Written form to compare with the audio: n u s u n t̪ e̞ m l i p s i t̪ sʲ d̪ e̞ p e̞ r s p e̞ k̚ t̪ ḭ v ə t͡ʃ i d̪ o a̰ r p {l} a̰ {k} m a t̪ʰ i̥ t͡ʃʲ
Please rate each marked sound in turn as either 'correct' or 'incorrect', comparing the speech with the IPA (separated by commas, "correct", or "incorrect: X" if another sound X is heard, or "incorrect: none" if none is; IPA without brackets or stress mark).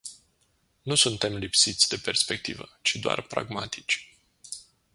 incorrect: ɾ, incorrect: ɡ